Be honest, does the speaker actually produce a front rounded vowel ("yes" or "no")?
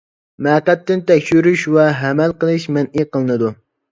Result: yes